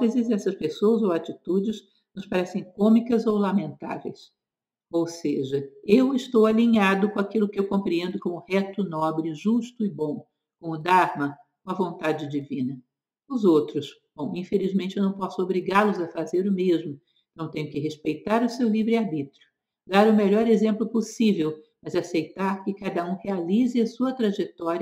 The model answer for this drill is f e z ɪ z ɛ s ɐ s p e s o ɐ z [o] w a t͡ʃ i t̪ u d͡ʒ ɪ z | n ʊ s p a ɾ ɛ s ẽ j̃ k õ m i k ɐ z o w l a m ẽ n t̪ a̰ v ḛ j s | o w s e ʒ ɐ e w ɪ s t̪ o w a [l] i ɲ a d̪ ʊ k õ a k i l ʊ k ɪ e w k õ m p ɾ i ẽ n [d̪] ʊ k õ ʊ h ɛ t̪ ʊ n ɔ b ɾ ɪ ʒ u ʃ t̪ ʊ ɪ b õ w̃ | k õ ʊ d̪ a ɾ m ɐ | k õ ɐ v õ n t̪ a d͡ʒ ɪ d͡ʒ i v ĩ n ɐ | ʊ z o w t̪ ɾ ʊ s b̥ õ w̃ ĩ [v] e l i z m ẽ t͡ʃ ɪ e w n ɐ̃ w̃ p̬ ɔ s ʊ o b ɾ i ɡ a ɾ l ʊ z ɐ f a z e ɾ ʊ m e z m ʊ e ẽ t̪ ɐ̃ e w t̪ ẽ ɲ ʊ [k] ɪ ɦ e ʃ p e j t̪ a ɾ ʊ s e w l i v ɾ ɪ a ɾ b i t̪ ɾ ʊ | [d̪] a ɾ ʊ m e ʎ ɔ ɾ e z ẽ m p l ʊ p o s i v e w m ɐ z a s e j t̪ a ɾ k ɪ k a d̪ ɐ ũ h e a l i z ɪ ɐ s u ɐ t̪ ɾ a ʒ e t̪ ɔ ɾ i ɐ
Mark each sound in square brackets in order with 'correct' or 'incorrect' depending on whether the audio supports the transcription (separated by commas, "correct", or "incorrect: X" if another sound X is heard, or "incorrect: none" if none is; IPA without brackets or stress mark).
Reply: correct, correct, correct, incorrect: f, correct, correct